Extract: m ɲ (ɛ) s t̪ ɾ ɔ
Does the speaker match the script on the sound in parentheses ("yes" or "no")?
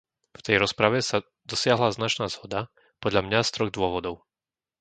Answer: no